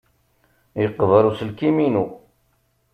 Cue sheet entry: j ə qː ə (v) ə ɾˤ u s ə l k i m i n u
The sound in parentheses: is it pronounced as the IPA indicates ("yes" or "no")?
yes